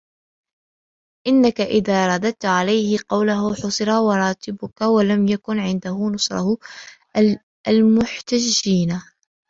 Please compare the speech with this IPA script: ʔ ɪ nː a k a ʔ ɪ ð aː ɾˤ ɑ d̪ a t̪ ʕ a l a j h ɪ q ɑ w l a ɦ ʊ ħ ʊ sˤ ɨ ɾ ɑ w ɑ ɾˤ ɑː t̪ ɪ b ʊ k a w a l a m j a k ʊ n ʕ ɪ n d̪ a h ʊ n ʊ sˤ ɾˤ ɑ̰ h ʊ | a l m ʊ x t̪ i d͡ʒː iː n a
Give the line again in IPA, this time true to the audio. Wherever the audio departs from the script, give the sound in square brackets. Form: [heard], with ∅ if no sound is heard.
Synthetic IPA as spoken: ʔ ɪ nː a k a ʔ ɪ ð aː ɾˤ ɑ d̪ a t̪ ʕ a l a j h ɪ q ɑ w l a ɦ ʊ ħ ʊ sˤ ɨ ɾ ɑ w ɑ ɾˤ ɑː t̪ ɪ b ʊ k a w a l a m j a k ʊ n ʕ ɪ n d̪ a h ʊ n ʊ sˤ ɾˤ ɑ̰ h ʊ | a l m ʊ [ħ] t̪ [a] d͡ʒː iː n a